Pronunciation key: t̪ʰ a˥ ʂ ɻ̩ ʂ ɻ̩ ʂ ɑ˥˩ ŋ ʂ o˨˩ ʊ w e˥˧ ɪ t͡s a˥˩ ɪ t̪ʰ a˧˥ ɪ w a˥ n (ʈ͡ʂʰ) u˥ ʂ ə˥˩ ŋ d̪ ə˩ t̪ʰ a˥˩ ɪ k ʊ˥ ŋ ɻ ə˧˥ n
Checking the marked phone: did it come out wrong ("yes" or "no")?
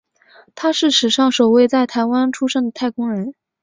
no